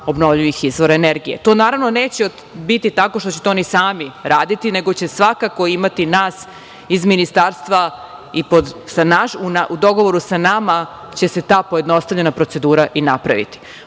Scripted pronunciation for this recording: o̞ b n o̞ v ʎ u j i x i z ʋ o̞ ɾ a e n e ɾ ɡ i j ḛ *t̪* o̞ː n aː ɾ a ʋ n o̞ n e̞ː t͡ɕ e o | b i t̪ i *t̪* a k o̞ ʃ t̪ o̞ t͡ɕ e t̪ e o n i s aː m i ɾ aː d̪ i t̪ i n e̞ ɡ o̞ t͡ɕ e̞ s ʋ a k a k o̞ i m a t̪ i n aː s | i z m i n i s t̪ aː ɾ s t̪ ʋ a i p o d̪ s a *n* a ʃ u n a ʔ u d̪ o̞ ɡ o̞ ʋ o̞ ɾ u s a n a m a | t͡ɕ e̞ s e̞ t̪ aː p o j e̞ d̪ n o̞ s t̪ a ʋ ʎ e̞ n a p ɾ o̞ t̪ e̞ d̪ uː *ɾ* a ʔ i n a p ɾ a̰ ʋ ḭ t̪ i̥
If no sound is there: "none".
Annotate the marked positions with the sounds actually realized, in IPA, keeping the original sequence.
t̪, t̪, n, ɾ

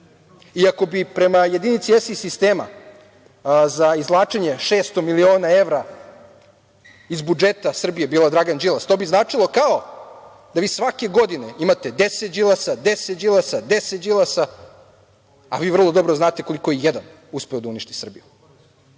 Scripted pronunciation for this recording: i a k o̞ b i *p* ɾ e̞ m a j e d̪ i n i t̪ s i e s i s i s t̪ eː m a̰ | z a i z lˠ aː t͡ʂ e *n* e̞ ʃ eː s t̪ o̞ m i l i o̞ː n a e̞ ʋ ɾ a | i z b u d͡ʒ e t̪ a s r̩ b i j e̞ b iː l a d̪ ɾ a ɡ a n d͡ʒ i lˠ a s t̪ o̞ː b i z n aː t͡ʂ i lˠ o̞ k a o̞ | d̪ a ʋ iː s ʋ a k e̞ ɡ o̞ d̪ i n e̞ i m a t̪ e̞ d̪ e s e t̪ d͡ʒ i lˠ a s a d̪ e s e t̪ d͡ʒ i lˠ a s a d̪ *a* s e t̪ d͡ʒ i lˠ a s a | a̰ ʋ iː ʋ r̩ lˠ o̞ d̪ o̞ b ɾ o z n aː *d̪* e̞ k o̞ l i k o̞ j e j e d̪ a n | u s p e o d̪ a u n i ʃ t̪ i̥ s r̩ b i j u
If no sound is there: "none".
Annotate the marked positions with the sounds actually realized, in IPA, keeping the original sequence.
p, ɲ, e, t̪

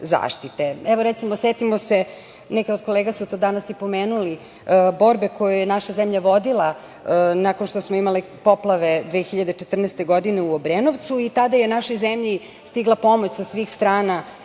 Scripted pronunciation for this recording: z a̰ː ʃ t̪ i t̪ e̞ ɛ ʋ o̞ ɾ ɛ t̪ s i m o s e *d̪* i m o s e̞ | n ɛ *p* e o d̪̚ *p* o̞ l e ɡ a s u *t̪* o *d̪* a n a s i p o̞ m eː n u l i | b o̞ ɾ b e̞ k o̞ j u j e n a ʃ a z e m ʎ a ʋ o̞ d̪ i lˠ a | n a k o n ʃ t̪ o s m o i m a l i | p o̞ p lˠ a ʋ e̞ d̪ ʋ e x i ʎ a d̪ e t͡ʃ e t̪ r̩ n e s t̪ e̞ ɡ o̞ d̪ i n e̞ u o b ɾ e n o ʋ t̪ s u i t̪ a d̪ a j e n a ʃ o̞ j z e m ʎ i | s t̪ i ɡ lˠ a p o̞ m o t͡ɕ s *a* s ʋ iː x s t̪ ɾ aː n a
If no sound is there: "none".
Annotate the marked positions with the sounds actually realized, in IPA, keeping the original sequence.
t̪, k, k, t̪, d̪, a

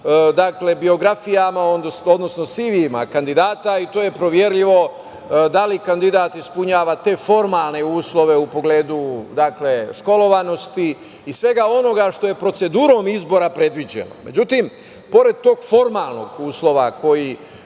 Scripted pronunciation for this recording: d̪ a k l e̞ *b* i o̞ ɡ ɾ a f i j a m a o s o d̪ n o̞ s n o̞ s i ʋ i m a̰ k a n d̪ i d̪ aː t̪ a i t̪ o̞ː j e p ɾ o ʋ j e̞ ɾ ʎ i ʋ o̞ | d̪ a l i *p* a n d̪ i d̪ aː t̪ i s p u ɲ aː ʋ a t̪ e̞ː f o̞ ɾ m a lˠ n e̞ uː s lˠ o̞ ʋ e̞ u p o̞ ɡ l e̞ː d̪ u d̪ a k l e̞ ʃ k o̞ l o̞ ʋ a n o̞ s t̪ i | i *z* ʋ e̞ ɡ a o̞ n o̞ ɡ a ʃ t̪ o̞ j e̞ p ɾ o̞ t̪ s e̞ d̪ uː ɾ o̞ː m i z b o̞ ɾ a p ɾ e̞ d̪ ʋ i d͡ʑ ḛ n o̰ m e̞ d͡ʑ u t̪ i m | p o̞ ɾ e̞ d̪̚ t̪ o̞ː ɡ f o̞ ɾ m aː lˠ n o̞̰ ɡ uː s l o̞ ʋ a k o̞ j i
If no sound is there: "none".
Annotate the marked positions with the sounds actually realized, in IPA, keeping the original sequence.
b, k, s

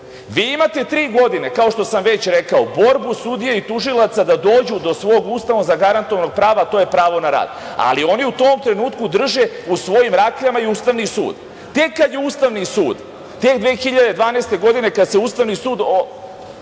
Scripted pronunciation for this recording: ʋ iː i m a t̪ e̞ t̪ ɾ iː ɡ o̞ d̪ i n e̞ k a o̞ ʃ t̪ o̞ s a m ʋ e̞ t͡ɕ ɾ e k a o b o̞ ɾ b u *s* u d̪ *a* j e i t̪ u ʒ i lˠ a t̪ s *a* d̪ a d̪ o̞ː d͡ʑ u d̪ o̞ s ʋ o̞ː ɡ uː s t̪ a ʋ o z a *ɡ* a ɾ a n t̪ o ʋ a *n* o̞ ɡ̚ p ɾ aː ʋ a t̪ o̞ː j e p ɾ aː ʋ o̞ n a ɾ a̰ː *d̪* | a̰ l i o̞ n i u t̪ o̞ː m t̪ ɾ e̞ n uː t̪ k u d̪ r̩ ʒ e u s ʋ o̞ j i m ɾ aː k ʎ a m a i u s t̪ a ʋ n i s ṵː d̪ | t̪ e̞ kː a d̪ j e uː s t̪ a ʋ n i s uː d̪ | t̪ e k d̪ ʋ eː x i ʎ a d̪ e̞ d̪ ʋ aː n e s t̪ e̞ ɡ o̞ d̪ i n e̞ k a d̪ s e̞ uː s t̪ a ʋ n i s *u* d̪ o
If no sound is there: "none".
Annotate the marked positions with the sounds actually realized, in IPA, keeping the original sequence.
s, i, a, ɡ, n, d̪, uː

